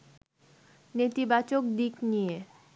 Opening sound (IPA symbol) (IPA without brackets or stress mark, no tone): n